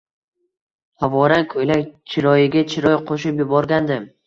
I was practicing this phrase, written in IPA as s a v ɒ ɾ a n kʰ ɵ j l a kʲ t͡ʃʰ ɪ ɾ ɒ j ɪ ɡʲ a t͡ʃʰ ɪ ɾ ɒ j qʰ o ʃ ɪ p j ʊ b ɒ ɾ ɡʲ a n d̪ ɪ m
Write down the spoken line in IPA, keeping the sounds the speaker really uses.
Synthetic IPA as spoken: h a v ɒ ɾ a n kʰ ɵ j l a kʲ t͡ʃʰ ɪ ɾ ɒ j ɪ ɡʲ a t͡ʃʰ ɪ ɾ ɒ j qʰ o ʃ ɪ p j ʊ b ɒ ɾ ɡʲ a n d̪ ɪ m